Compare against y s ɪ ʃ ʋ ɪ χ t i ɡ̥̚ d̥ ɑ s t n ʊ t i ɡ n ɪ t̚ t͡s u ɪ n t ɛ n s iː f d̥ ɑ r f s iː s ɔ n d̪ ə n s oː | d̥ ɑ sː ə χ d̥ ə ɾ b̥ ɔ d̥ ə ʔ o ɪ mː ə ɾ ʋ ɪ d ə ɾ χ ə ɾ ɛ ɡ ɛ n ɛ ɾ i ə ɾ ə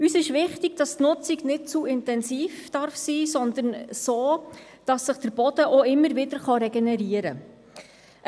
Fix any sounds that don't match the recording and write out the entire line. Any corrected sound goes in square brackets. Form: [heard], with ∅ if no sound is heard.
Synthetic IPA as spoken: y s ɪ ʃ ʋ ɪ χ t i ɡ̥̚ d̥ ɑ s t n ʊ [t͡s] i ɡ n ɪ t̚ t͡s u ɪ n t ɛ n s iː f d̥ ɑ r f s iː s ɔ n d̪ ə n s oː | d̥ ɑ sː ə χ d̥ ə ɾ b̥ ɔ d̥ ə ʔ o ɪ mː ə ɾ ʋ ɪ d ə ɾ χ [ɑ] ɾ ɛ ɡ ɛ n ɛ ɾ i ə ɾ ə